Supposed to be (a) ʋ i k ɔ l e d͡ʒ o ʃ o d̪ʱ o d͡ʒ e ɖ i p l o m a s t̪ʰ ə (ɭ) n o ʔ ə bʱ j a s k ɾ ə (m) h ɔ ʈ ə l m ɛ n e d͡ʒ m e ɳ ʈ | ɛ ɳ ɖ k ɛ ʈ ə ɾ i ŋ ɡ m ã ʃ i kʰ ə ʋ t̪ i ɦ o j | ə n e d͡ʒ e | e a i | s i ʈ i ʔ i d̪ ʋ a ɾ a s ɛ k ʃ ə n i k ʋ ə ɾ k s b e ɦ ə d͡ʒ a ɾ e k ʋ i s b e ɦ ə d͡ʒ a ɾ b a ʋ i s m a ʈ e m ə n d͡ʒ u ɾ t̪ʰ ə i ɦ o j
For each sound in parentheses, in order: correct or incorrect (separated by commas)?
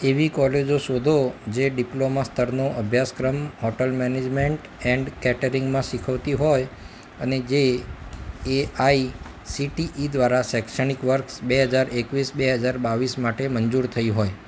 incorrect, incorrect, correct